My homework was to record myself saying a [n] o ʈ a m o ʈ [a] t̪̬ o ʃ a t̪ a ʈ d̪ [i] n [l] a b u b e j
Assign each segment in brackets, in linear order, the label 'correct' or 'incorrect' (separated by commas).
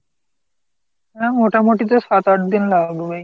incorrect, incorrect, correct, correct